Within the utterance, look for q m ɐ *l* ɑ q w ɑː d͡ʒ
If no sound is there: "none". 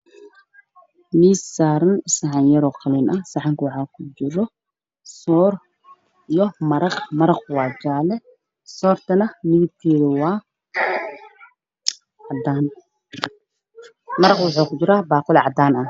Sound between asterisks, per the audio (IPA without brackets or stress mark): ɾ